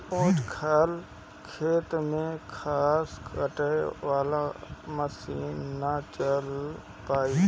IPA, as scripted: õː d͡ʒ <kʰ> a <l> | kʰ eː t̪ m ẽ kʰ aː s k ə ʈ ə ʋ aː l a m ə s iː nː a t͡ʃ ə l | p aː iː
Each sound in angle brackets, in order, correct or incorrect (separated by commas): correct, correct